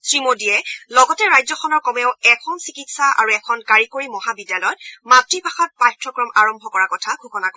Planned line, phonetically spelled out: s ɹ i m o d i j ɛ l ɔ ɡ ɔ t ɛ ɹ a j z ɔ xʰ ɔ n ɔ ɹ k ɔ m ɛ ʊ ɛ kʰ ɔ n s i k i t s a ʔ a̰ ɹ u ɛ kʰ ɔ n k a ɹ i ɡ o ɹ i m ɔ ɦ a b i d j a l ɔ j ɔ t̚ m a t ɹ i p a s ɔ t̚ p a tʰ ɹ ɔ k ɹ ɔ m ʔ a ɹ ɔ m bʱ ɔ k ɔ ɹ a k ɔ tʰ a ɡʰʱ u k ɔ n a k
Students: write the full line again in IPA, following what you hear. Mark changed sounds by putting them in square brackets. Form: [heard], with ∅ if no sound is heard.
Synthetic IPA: s ɹ i m o d i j ɛ l ɔ ɡ ɔ t ɛ ɹ a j z ɔ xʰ ɔ n ɔ ɹ k ɔ m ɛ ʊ ɛ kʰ ɔ n s i k i t s a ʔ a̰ ɹ u ɛ kʰ ɔ n k a ɹ i [k] o ɹ i m ɔ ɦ a b i d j a l ɔ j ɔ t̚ m a t ɹ i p a [x] ɔ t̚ p a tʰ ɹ ɔ k ɹ ɔ m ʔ a ɹ ɔ m bʱ ɔ k ɔ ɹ a k ɔ tʰ a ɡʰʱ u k ɔ n a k